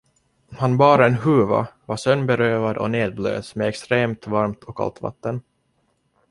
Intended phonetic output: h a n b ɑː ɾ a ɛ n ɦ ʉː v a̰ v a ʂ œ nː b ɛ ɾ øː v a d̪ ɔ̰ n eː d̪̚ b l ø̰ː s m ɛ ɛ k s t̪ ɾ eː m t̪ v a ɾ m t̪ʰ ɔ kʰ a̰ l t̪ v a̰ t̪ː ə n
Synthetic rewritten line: h a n b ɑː ɾ a ɛ n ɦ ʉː v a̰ v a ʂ œ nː b ɛ ɾ øː v a d̪ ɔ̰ n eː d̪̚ b l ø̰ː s m ɛ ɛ k s t̪ ɾ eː m t̪ v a ɾ m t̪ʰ ɔ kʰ a̰ l t̪ v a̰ t̪ː ə n